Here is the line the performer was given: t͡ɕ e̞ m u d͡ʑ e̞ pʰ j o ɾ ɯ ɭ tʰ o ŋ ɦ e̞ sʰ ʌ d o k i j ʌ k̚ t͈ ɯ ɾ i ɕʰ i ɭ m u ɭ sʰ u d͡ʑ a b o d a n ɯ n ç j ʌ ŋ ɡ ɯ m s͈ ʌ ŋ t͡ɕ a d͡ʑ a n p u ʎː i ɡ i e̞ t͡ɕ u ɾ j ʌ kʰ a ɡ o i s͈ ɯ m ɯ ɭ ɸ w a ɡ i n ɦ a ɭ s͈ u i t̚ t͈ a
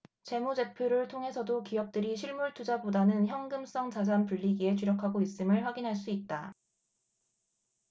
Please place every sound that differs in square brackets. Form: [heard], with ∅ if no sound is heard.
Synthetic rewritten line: t͡ɕ e̞ m u d͡ʑ e̞ pʰ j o ɾ ɯ ɭ tʰ o ŋ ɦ e̞ sʰ ʌ d o k i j ʌ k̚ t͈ ɯ ɾ i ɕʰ i ɭ m u ɭ [tʰ] u d͡ʑ a b o d a n ɯ n ç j ʌ ŋ ɡ ɯ m s͈ ʌ ŋ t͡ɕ a d͡ʑ a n p u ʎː i ɡ i e̞ t͡ɕ u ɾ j ʌ kʰ a ɡ o i s͈ ɯ m ɯ ɭ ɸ w a ɡ i n ɦ a ɭ s͈ u i t̚ t͈ a